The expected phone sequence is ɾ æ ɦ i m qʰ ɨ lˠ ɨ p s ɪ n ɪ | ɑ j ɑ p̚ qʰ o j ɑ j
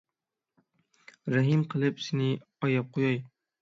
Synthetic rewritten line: ɾ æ ɦ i m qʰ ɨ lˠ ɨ p s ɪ n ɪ | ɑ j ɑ p̚ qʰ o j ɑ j